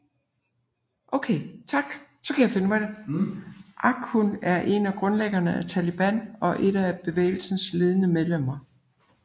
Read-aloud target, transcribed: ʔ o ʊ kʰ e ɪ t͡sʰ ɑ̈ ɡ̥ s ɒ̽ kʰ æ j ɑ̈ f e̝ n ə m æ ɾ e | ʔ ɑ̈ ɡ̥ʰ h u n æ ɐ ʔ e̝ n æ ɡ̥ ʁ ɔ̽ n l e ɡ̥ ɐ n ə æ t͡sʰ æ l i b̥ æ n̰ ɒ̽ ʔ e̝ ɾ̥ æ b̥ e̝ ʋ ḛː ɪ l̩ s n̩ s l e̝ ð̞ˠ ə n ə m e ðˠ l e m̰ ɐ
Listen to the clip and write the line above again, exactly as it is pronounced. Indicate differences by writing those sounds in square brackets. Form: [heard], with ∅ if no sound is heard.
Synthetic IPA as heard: ʔ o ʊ kʰ e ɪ t͡sʰ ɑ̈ ɡ̥ s ɒ̽ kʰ æ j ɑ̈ f e̝ n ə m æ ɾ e | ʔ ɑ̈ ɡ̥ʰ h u n æ ɐ ʔ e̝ n æ ɡ̥ ʁ ɔ̽ n l e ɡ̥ ɐ n ə æ t͡sʰ æ l i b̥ æ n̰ ɒ̽ ʔ e̝ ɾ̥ æ b̥ e̝ ʋ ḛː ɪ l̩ s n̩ s l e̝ ð̞ˠ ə n ə m e ðˠ l e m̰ ɐ

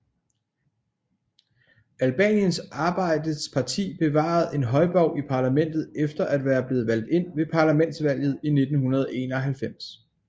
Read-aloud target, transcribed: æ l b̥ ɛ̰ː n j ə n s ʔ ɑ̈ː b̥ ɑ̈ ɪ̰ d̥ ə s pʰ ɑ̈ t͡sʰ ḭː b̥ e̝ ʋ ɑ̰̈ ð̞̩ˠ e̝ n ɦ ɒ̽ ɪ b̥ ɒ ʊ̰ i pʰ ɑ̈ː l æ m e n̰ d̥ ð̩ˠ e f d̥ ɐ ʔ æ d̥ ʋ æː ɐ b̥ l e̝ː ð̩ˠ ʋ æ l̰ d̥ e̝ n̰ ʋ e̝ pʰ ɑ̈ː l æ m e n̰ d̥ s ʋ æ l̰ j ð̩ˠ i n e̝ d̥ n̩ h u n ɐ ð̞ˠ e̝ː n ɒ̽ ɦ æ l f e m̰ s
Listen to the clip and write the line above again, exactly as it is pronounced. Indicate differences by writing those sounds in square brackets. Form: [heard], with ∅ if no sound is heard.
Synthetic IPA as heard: æ l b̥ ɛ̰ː n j ə n s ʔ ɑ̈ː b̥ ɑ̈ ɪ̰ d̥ ə s pʰ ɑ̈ t͡sʰ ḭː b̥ e̝ ʋ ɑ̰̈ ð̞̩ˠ e̝ n ɦ ɒ̽ ɪ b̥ ɒ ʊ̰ i pʰ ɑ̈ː l æ m e n̰ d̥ ð̩ˠ e f d̥ ɐ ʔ æ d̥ ʋ æː ɐ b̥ l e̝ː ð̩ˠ ʋ æ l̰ d̥ e̝ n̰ ʋ e̝ pʰ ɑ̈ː l æ m e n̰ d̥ s ʋ æ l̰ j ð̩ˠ i n e̝ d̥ n̩ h u n ɐ ð̞ˠ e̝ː n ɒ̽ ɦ æ l f e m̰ s

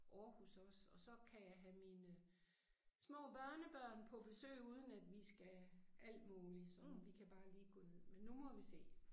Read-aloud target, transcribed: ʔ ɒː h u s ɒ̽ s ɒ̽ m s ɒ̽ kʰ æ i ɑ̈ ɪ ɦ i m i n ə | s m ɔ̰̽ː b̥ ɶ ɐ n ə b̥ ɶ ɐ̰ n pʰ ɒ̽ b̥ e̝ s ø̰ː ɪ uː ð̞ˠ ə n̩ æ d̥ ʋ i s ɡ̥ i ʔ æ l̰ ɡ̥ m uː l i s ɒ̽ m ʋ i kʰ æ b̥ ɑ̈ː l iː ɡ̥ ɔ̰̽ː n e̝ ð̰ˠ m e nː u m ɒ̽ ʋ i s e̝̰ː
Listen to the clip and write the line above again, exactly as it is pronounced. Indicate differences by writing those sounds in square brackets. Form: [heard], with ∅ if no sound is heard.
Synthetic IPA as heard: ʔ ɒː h u s ɒ̽ s ɒ̽ [∅] s ɒ̽ kʰ æ [j] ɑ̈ ɪ ɦ [æ] m i n ə | s m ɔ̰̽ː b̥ ɶ ɐ n ə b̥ ɶ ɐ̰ n pʰ ɒ̽ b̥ e̝ s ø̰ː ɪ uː ð̞ˠ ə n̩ æ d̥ ʋ i s ɡ̥ [æ] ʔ æ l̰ [d̥] m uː l i s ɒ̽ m ʋ i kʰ æ b̥ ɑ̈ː l iː ɡ̥ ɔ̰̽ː n e̝ ð̰ˠ m e nː u m ɒ̽ ʋ i s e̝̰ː

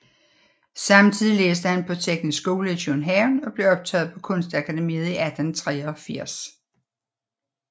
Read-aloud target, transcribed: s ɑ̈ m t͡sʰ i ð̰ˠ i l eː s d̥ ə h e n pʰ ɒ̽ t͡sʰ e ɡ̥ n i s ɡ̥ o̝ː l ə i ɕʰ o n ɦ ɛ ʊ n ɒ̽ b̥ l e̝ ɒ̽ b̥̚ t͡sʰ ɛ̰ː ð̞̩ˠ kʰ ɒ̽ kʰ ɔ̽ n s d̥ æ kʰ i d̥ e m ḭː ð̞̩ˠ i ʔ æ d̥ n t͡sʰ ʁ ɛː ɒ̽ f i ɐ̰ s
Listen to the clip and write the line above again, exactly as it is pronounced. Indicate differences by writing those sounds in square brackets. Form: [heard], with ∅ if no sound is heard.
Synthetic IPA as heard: s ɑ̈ m t͡sʰ i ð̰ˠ i l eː s d̥ ə h [æ] n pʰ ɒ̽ t͡sʰ e ɡ̥ n i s ɡ̥ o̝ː l ə i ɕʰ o n ɦ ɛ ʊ n ɒ̽ b̥ l e̝ ɒ̽ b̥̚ t͡sʰ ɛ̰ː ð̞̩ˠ [pʰ] ɒ̽ kʰ ɔ̽ n s d̥ æ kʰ [æ] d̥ e m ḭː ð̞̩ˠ i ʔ æ d̥ n t͡sʰ ʁ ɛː ɒ̽ f i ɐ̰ s

